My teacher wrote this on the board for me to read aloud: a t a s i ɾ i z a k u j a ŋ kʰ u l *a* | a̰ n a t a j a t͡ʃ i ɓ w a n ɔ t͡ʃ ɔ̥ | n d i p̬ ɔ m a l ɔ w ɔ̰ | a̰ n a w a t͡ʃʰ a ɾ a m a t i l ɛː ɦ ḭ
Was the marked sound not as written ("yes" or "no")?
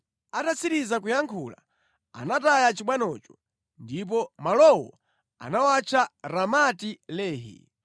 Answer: no